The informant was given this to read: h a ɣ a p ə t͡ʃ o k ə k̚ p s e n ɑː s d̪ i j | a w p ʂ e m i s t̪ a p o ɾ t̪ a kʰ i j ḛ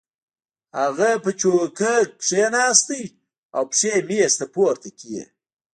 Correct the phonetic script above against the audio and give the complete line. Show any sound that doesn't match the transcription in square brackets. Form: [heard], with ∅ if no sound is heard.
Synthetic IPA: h a ɣ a p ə t͡ʃ o k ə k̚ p [ʂ] e n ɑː s [t̪] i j | a w p ʂ e m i s t̪ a p o ɾ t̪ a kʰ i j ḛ